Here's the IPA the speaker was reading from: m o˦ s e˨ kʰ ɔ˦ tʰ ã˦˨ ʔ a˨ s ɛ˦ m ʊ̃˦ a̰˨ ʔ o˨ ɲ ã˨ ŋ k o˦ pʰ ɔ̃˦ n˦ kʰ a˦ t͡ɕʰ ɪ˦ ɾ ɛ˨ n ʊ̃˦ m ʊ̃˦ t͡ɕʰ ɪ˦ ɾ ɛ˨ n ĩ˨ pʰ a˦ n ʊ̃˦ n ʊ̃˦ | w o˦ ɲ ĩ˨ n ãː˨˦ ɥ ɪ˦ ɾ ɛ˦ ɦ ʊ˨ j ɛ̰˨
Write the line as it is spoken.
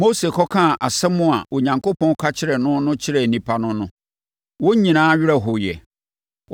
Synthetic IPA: m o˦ s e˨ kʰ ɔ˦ kʰ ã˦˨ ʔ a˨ s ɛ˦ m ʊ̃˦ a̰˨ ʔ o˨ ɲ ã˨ ŋ k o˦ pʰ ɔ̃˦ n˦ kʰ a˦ t͡ɕʰ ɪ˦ ɾ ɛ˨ n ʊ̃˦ n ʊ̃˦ t͡ɕʰ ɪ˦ ɾ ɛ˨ n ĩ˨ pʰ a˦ n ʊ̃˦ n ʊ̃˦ | w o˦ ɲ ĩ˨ n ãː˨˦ ɥ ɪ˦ ɾ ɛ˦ ɦ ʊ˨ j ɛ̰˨